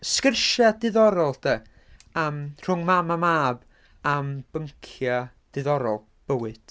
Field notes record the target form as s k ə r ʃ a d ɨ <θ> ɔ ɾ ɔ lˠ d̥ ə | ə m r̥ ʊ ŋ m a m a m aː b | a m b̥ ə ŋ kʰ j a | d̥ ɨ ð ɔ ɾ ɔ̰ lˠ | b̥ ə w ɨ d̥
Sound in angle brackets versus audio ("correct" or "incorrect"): incorrect